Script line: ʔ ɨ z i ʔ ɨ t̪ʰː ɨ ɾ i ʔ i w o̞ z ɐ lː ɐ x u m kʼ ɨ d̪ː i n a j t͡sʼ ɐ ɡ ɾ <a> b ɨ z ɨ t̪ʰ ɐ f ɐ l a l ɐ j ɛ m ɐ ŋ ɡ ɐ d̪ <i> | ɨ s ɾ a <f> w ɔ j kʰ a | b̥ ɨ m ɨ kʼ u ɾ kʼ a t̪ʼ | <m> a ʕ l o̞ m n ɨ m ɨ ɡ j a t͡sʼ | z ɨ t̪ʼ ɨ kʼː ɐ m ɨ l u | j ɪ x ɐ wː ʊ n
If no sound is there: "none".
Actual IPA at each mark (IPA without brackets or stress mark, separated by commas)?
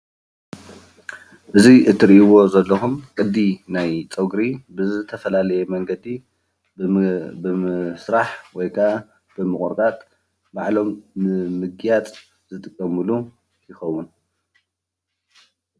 i, i, ħ, b